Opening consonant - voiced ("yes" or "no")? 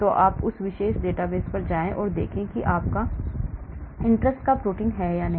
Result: no